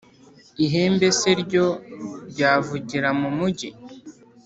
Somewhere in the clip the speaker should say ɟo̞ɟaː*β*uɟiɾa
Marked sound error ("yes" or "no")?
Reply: yes